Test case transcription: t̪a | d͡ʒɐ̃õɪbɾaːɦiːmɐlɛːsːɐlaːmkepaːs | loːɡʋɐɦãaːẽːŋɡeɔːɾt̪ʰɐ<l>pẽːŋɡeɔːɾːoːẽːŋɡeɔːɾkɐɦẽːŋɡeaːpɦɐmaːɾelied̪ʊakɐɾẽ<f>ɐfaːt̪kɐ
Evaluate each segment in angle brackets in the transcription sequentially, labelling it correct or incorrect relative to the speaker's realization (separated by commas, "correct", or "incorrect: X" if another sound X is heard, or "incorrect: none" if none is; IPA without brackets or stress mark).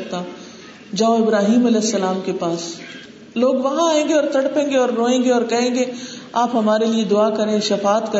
incorrect: ɽ, incorrect: ʃ